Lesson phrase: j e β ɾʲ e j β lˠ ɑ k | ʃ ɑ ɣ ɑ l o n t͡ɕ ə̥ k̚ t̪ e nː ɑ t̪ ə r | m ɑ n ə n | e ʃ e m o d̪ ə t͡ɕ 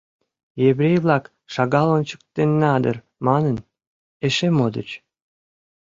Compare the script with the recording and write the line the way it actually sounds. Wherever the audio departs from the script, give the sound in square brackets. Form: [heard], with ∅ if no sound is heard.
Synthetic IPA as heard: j e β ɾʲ e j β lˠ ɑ k | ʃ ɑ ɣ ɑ l o n t͡ɕ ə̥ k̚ t̪ e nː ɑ [d̪] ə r | m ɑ n ə n | e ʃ e m o d̪ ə t͡ɕ